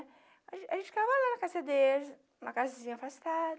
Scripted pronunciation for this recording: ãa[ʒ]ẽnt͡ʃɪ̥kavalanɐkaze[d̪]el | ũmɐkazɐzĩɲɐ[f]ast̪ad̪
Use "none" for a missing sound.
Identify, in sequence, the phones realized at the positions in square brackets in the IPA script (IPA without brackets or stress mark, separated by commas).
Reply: ʒ, d̪, f